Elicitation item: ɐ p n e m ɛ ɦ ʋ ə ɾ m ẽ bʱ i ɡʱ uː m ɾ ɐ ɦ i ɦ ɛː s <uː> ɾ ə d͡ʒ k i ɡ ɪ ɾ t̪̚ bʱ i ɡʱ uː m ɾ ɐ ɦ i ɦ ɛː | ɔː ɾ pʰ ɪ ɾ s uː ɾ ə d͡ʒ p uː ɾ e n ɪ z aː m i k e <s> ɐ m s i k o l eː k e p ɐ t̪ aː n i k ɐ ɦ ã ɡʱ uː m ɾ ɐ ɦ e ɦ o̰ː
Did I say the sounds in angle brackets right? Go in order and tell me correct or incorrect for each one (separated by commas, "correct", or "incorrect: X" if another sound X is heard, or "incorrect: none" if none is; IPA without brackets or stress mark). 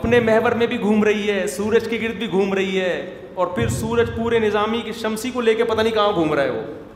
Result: correct, incorrect: ʃ